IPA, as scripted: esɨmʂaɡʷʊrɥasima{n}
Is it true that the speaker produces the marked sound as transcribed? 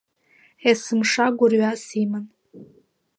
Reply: yes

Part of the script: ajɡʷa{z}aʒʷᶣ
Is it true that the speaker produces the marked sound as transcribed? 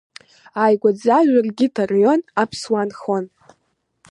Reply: no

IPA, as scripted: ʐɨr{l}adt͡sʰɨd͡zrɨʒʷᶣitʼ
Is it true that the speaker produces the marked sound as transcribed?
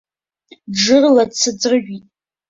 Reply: yes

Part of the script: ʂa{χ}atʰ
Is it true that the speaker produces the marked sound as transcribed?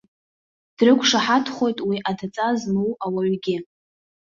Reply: no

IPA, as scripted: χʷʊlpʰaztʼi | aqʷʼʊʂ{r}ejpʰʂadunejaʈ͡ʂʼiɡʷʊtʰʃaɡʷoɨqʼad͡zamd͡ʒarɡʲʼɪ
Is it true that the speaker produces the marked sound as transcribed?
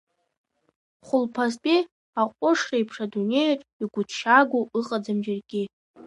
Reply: yes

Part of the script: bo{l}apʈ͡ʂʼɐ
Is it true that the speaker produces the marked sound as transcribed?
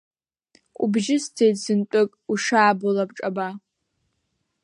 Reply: yes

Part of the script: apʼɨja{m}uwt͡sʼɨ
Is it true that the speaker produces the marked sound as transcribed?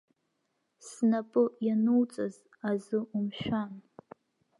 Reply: no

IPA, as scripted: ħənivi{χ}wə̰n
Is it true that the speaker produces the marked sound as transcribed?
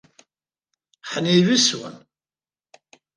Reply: no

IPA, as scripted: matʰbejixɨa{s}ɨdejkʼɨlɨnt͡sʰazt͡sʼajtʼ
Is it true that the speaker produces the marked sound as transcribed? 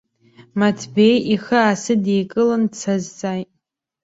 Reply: yes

